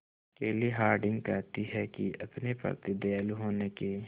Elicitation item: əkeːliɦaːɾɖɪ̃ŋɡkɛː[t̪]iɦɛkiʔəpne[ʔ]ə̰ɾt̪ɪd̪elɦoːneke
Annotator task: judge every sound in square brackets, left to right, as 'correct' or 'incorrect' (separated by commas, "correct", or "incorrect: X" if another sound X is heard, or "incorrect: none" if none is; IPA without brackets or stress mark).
correct, incorrect: p